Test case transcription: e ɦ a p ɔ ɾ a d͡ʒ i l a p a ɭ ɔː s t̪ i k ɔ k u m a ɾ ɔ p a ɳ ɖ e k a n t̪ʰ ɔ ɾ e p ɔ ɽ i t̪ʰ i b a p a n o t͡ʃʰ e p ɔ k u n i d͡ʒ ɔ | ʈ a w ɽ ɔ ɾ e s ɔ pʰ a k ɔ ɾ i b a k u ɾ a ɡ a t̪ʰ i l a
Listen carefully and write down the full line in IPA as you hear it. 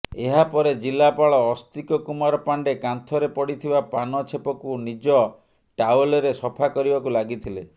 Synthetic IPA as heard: e ɦ a p ɔ ɾ e d͡ʒ i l a p a ɭ ɔː s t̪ i k ɔ k u m a ɾ ɔ p a ɳ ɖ e k a n t̪ʰ ɔ ɾ e p ɔ ɽ i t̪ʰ i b a p a n ɔ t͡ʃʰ e p ɔ k u n i d͡ʒ ɔ | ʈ a w l ɔ ɾ e s ɔ pʰ a k ɔ ɾ i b a k u l a ɡ i t̪ʰ i l e